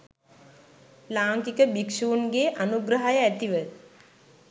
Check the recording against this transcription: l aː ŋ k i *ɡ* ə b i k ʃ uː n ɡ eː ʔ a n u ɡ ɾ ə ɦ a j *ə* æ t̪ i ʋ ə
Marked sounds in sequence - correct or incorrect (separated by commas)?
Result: incorrect, correct